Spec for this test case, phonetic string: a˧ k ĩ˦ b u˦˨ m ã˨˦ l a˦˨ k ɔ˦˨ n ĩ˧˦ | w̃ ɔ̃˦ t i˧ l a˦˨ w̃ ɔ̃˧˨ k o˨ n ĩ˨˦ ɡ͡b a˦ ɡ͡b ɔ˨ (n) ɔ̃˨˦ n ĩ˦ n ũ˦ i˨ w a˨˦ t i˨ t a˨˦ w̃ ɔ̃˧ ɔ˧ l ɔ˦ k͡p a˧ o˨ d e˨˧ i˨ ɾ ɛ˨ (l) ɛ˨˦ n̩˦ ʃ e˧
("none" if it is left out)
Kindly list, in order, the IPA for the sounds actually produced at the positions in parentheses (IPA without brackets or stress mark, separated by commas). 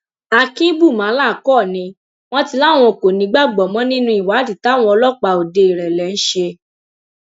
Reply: m, l